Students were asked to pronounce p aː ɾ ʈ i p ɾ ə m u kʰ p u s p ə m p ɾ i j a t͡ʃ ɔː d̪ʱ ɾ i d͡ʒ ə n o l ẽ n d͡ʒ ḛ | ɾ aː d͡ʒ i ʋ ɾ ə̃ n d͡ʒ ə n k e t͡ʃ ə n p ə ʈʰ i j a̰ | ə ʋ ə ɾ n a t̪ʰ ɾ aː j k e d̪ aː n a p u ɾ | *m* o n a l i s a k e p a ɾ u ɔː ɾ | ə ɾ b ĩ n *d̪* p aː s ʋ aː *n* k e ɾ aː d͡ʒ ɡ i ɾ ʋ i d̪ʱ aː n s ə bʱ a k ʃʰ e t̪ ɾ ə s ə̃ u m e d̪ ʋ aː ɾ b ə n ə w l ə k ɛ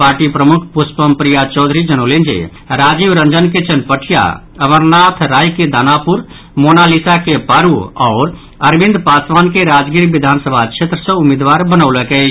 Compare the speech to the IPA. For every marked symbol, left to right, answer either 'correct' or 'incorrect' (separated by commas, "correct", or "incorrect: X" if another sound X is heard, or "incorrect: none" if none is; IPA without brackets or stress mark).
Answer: correct, correct, correct